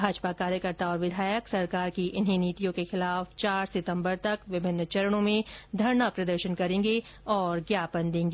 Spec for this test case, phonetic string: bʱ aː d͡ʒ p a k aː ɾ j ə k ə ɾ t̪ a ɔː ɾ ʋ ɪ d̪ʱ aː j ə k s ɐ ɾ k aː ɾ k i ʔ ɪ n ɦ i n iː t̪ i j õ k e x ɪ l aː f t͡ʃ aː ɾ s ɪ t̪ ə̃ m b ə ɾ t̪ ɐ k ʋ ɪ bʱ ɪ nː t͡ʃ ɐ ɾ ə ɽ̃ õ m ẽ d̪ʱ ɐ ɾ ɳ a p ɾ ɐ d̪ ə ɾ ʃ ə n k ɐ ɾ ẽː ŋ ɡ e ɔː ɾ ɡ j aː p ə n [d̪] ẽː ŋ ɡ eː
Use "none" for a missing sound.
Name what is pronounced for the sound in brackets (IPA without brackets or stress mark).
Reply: d̪